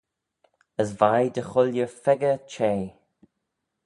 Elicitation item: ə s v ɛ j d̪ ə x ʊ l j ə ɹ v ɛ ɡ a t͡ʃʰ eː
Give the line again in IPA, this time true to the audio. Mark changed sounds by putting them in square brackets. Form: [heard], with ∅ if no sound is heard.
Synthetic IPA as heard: ə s v [a] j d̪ ə x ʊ l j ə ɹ [f] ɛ ɡ [ə] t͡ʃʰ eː